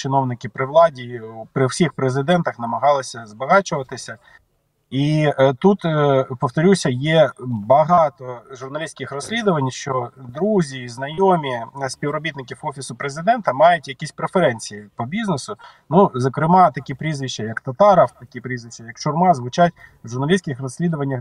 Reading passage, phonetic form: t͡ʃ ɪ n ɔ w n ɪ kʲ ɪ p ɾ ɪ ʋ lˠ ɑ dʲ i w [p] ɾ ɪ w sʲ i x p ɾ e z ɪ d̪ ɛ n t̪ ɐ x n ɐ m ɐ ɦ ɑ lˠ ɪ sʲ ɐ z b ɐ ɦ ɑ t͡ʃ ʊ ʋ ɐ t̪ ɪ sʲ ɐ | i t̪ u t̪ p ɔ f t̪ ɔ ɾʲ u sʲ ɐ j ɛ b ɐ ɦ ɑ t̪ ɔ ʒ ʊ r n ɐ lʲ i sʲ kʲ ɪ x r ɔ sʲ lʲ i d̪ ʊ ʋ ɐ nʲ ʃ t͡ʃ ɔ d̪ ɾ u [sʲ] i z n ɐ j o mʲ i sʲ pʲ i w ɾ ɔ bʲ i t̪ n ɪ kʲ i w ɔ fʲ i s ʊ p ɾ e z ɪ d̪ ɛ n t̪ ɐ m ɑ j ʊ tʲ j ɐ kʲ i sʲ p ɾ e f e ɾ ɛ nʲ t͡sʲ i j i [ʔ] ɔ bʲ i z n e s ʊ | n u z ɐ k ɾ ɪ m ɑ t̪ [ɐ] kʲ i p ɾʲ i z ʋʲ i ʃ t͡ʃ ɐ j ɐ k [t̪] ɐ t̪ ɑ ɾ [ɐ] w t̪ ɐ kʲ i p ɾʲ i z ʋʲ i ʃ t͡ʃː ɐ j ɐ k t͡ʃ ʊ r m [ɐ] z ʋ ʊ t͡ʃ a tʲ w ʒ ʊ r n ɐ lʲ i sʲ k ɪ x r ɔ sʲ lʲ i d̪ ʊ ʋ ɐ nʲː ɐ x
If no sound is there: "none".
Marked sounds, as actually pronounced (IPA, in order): p, zʲ, p, ɐ, t̪, ɐ, ɑ

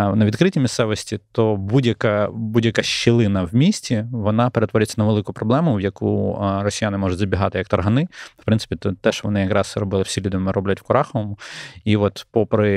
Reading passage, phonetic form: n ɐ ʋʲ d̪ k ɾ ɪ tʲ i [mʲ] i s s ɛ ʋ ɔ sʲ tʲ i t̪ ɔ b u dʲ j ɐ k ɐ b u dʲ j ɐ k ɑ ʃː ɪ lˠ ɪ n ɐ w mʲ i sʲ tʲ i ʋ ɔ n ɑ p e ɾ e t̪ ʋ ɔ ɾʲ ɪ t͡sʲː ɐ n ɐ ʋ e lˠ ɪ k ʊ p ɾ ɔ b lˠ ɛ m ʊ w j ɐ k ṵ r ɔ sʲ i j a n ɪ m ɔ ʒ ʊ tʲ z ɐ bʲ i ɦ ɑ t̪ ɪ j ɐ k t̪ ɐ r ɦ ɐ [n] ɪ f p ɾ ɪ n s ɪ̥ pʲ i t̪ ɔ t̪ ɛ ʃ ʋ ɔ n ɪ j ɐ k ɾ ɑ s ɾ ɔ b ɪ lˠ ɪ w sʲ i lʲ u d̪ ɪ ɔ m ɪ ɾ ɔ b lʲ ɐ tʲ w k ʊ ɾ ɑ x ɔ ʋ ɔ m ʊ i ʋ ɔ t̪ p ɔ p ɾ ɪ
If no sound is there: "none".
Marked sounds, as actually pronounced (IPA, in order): mʲ, n

